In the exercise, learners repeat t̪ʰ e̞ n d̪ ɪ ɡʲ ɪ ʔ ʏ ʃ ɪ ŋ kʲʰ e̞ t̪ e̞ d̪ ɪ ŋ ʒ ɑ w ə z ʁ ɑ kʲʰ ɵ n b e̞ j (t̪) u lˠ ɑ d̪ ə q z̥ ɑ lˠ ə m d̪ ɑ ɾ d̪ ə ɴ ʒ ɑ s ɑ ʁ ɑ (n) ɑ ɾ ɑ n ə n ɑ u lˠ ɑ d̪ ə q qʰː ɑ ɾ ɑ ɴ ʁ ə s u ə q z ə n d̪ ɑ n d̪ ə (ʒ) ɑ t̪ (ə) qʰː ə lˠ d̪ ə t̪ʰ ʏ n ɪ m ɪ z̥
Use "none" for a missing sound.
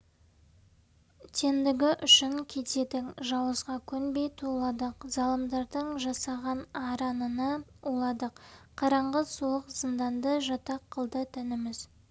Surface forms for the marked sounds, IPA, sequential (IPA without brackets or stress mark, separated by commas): t̪ʰ, n, ʒ, ɑ